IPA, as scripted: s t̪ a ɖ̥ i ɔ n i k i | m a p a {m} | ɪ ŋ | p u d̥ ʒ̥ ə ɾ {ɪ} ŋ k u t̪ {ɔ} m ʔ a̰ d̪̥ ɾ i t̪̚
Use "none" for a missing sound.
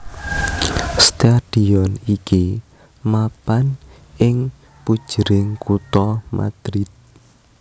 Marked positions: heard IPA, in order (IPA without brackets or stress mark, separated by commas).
n, ɪ, ɔ